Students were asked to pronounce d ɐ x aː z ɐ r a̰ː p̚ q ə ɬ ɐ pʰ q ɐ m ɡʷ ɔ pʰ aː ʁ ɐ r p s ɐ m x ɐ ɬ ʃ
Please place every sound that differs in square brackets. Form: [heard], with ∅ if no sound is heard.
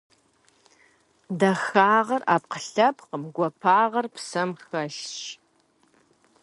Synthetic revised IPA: d ɐ x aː [ʁ] ɐ r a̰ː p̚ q ə ɬ ɐ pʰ q [ə] m ɡʷ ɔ pʰ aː ʁ ɐ r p s ɐ m x ɐ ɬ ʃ